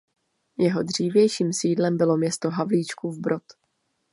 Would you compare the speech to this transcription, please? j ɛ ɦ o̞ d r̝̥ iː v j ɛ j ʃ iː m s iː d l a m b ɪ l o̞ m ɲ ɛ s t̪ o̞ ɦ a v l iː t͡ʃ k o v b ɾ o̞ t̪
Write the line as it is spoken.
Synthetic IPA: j ɛ ɦ o̞ d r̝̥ iː v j ɛ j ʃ iː m s iː d l ɛ m b ɪ l o̞ m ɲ ɛ s t̪ o̞ ɦ a v l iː t͡ʃ k u v b ɾ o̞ t̪